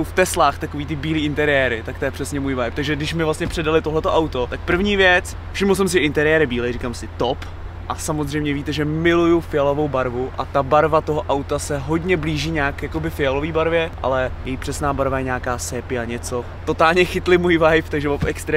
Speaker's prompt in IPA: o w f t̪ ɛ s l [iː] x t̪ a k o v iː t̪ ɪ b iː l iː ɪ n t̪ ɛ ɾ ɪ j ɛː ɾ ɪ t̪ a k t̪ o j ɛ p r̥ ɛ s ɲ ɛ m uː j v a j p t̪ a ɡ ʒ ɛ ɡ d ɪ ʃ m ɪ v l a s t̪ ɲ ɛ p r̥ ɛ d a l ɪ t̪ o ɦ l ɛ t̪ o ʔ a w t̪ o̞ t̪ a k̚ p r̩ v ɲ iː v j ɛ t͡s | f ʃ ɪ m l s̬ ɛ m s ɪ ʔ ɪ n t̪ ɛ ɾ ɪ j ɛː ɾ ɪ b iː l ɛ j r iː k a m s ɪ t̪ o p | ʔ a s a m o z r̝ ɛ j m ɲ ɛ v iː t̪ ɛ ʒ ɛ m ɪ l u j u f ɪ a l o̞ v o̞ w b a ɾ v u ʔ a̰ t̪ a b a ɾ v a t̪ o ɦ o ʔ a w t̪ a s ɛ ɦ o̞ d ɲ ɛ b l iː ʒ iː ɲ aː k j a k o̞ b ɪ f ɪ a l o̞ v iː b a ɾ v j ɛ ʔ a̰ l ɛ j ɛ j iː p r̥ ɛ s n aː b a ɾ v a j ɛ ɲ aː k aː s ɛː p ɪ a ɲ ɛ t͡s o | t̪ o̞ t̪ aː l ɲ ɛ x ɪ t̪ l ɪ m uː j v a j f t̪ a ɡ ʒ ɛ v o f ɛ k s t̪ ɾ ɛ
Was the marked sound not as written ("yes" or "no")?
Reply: yes